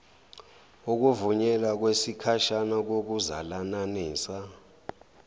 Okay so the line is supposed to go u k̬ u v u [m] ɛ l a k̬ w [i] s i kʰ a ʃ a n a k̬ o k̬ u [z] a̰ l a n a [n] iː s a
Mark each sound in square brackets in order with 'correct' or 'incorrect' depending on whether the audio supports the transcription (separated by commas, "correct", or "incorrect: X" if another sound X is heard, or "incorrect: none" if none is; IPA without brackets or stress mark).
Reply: incorrect: ɲ, incorrect: e, correct, correct